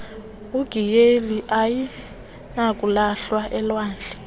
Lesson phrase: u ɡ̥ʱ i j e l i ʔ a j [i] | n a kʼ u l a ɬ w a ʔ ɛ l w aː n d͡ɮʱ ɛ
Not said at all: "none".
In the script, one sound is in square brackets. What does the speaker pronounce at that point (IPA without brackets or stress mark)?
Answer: i